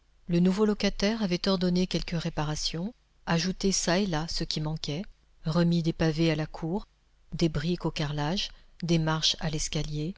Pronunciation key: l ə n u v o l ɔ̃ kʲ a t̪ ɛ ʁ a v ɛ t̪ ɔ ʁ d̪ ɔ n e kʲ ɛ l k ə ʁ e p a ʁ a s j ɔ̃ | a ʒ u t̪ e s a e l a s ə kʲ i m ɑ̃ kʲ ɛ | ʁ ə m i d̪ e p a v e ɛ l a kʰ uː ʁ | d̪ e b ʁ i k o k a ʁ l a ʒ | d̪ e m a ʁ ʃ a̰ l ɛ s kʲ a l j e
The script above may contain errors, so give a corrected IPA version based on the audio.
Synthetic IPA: l ə n u v o l ɔ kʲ a t̪ ɛ ʁ a v ɛ t̪ ɔ ʁ d̪ ɔ n e kʲ ɛ l k ə ʁ e p a ʁ a s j ɔ̃ | a ʒ u t̪ e s a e l a s ə kʲ i m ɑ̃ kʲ ɛ | ʁ ə m i d̪ e p a v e a l a kʰ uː ʁ | d̪ e b ʁ i k o k a ʁ l a ʒ | d̪ e m a ʁ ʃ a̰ l ɛ s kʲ a l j e